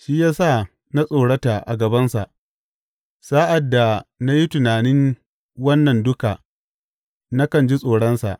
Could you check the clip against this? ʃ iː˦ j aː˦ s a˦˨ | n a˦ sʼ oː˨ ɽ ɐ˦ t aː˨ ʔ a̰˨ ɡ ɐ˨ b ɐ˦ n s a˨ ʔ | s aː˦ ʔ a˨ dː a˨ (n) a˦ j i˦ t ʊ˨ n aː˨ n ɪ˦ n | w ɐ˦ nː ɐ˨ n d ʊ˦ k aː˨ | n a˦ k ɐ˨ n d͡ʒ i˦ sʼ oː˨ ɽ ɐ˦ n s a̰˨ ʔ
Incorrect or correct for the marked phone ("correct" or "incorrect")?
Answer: correct